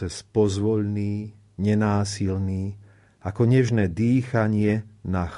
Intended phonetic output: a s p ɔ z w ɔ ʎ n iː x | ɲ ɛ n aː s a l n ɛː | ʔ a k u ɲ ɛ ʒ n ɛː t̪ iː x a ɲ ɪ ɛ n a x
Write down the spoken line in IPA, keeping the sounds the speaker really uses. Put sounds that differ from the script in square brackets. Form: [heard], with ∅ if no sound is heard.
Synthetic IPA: [ɛ] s p ɔ z [ʋ] ɔ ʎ n iː [∅] | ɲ ɛ n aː s [i] l n [iː] | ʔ a k [ɔ] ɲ ɛ ʒ n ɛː [d̪] iː x a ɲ ɪ ɛ n a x